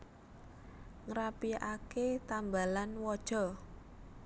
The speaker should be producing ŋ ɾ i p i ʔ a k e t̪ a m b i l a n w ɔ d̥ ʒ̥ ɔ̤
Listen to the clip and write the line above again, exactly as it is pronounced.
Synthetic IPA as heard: ŋ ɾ a p i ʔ a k e t̪ a m b a l a n w ɔ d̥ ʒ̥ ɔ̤